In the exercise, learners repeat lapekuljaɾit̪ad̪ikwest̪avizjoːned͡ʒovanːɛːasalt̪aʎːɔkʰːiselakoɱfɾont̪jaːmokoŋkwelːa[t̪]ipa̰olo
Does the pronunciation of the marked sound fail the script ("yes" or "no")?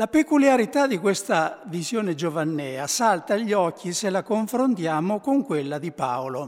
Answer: yes